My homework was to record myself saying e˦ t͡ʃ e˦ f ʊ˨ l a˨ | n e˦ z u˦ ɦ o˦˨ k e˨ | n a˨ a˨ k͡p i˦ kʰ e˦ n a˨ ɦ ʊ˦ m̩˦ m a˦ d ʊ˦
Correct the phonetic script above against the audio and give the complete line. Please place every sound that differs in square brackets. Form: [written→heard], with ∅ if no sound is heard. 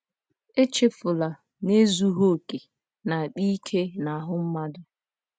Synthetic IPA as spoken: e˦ t͡ʃ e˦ f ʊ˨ l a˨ | n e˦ z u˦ ɦ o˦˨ k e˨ | n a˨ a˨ k͡p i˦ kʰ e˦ n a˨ ɦ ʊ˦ m̩˦ m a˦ d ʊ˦